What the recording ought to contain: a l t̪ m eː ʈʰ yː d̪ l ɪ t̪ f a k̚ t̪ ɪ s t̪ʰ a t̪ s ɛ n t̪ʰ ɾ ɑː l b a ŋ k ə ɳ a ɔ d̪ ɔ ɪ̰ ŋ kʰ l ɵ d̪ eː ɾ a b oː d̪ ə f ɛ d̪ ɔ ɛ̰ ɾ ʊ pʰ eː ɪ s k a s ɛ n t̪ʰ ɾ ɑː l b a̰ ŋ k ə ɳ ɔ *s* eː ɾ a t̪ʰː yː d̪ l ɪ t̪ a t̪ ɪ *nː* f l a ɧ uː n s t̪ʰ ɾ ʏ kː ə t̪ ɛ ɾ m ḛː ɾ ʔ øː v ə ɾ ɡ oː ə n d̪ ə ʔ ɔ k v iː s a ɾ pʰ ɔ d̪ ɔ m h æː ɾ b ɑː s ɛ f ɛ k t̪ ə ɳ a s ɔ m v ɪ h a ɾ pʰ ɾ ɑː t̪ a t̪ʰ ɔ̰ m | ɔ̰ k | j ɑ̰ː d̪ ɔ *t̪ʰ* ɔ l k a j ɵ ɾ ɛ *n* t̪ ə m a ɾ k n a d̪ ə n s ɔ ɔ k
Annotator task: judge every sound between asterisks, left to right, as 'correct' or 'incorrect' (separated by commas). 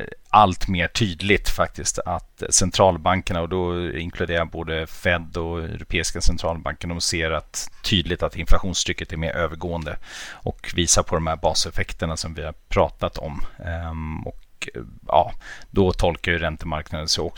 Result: correct, incorrect, correct, correct